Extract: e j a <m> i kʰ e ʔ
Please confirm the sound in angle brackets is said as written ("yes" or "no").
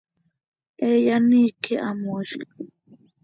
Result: no